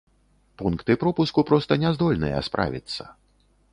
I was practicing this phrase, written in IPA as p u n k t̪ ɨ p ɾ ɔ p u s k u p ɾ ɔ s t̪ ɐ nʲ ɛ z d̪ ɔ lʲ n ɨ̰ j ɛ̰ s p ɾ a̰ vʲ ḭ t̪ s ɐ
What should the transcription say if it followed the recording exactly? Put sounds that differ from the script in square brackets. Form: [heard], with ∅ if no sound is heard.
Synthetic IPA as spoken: p u n k t̪ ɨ p ɾ ɔ p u s k u p ɾ ɔ s t̪ ɐ nʲ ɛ z d̪ ɔ lʲ n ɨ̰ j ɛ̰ s p ɾ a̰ vʲ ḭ t̪ [sː] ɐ